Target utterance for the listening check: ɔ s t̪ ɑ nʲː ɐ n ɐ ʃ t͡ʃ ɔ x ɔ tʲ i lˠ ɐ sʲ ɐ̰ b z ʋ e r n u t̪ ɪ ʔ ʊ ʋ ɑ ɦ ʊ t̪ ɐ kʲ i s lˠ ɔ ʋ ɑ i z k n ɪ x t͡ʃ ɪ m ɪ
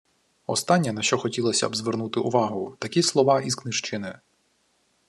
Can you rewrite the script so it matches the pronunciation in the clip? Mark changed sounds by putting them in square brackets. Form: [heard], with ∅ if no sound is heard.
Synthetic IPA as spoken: ɔ s t̪ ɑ nʲː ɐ n ɐ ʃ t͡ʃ ɔ x ɔ tʲ i lˠ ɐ sʲ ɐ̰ b z ʋ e r n u t̪ ɪ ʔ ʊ ʋ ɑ ɦ ʊ t̪ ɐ kʲ i s lˠ ɔ ʋ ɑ i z k n ɪ [ʃ] t͡ʃ ɪ [n] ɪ